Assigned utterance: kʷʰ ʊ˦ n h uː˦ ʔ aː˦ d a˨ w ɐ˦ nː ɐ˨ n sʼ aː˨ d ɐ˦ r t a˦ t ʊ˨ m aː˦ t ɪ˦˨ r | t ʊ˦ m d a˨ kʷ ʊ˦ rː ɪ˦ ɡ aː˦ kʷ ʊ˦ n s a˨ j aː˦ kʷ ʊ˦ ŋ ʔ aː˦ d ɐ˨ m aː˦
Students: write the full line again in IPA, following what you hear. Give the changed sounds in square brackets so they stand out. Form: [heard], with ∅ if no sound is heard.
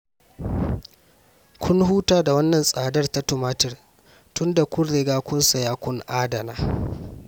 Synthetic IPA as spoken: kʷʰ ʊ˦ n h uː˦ [t] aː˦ d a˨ w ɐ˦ nː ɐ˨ n sʼ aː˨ d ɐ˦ r t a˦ t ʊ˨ m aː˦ t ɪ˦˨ r | t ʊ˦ [n] d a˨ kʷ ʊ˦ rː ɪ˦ ɡ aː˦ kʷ ʊ˦ n s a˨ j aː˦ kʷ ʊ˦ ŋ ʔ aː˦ d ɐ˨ [n] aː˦